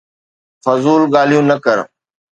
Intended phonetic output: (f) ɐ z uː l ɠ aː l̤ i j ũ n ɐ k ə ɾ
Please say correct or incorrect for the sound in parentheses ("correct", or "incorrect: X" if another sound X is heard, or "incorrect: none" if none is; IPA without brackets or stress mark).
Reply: correct